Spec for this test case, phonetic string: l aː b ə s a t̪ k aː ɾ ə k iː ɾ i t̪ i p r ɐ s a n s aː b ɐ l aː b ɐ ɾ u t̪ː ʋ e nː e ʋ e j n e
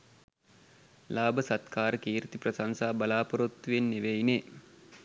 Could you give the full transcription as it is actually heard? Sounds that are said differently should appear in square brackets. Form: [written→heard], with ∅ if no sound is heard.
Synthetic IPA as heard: l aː b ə s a t̪ k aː ɾ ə k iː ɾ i t̪ i p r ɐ s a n s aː b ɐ l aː [b→p] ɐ ɾ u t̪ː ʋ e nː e ʋ e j n e